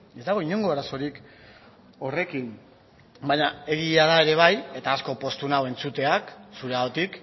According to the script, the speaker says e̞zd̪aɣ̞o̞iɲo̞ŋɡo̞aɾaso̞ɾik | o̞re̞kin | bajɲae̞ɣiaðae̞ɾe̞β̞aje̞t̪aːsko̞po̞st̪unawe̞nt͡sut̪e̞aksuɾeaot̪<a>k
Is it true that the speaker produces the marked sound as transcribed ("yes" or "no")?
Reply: no